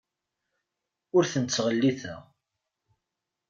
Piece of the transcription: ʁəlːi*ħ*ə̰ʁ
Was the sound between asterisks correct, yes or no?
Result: no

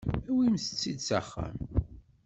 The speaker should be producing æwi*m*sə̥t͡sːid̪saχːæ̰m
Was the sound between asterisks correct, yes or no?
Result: yes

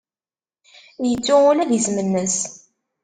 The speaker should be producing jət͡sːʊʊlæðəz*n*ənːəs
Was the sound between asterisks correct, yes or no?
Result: no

